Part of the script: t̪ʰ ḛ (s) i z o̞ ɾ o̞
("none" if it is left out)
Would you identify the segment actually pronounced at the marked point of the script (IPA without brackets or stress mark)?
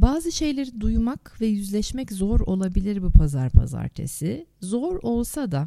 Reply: s